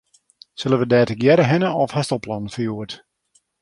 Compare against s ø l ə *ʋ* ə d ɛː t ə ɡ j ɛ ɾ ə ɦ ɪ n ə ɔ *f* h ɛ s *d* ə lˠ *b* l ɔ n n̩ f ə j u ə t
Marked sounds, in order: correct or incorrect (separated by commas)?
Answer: correct, correct, incorrect, incorrect